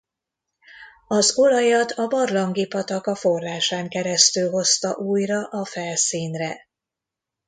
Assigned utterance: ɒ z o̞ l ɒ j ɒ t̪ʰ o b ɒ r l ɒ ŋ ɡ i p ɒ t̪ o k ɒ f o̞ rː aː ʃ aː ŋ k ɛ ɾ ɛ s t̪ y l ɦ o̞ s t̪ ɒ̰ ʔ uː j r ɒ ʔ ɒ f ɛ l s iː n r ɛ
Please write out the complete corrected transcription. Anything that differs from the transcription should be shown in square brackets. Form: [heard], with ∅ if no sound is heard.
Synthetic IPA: ɒ z o̞ l ɒ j ɒ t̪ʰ [ɒ] b ɒ r l ɒ ŋ ɡ i p ɒ t̪ [ɒ] k ɒ f o̞ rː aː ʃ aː ŋ k ɛ ɾ ɛ s t̪ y l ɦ o̞ s t̪ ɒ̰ ʔ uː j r ɒ ʔ ɒ f ɛ l s iː n r ɛ